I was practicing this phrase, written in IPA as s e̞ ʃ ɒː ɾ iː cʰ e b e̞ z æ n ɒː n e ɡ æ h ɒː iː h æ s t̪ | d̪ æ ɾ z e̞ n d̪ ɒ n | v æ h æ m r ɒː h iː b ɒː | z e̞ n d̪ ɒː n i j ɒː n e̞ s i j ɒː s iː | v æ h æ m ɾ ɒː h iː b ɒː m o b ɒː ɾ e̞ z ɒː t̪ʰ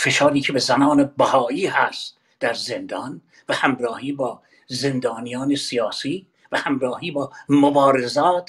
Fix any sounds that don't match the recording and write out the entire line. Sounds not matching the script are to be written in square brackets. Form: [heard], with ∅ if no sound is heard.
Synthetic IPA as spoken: [f] e̞ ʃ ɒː ɾ iː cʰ e b e̞ z æ n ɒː n e [b] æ h ɒː iː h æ s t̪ | d̪ æ ɾ z e̞ n d̪ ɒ n | v æ h æ m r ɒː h iː b ɒː | z e̞ n d̪ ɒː n i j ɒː n e̞ s i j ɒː s iː | v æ h æ m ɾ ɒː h iː b ɒː m o b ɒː ɾ e̞ z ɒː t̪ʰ